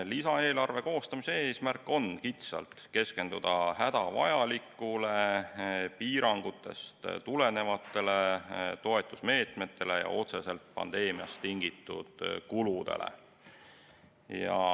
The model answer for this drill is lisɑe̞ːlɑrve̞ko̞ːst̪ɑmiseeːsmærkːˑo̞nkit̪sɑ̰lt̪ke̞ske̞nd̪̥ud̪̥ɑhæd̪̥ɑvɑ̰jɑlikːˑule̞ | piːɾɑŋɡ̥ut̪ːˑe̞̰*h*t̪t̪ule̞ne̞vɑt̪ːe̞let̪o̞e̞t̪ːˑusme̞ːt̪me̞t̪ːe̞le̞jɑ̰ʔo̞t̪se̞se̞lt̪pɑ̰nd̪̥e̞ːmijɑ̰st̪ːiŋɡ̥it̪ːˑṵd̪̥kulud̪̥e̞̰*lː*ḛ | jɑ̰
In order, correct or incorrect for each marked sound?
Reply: incorrect: s, incorrect: l

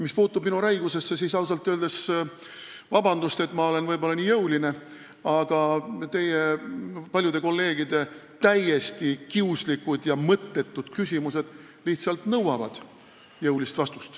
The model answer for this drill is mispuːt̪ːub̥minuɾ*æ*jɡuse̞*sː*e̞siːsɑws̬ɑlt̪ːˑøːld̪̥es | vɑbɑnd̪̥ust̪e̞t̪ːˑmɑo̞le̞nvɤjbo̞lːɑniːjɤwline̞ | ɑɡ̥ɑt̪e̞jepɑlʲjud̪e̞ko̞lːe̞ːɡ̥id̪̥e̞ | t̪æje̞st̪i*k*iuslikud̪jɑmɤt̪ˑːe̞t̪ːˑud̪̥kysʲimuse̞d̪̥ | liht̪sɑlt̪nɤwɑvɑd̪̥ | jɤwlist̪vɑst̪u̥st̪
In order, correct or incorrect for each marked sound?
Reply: correct, correct, correct

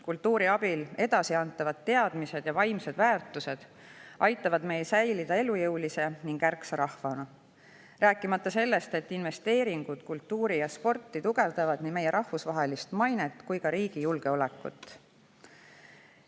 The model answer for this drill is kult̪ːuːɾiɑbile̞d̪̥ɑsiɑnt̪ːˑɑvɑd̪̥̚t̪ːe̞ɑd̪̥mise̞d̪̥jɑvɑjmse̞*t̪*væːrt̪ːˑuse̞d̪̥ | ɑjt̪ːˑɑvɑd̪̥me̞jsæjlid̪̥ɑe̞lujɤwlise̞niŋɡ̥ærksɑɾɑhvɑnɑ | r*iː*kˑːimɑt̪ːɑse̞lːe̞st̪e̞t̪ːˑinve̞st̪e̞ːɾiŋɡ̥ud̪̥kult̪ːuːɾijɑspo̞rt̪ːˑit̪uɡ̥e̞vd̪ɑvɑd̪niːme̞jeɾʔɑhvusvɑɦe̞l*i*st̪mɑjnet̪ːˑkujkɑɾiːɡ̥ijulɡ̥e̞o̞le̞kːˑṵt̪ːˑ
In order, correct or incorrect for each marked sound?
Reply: incorrect: d̪, incorrect: æː, correct

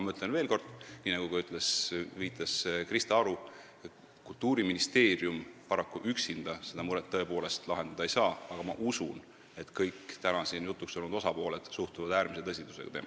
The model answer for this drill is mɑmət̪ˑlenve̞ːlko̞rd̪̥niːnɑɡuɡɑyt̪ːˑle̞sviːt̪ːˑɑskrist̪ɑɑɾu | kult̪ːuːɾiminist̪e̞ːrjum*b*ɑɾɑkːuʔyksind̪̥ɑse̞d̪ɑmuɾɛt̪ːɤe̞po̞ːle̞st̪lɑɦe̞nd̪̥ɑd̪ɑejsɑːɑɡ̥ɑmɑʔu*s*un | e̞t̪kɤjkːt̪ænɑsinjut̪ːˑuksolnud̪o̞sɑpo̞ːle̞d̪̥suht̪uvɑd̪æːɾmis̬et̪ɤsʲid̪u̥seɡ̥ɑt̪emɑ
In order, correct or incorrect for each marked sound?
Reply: incorrect: p, correct

